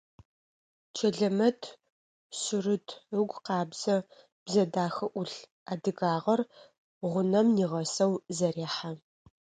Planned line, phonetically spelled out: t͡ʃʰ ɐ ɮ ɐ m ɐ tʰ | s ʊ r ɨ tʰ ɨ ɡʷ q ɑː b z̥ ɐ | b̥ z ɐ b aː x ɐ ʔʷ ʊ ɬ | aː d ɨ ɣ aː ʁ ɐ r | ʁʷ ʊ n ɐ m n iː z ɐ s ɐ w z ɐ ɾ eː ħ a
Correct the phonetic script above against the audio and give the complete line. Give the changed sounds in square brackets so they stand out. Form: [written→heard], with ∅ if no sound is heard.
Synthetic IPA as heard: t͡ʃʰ ɐ ɮ ɐ m ɐ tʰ | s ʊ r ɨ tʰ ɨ ɡʷ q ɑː b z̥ ɐ | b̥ z ɐ [b→d] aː x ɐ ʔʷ ʊ ɬ | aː d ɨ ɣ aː ʁ ɐ r | ʁʷ ʊ n ɐ m n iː [z→ʁ] ɐ s ɐ w z ɐ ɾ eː ħ a